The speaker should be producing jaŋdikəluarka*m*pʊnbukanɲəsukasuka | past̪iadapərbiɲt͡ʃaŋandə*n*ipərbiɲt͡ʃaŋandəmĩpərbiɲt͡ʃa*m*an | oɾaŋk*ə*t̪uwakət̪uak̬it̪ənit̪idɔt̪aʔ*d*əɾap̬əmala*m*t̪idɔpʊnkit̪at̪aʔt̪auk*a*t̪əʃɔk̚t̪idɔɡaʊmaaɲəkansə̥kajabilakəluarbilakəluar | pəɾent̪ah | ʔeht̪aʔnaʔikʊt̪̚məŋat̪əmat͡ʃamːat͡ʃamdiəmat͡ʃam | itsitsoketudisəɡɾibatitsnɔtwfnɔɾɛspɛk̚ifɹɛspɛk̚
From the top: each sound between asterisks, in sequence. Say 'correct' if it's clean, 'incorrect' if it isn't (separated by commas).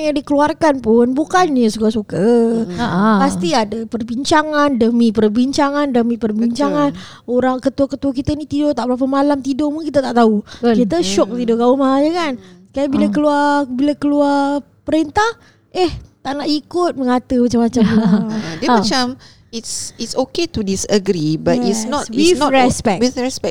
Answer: incorrect, incorrect, incorrect, correct, incorrect, correct, incorrect